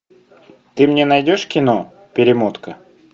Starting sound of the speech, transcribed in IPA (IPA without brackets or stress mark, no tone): t̪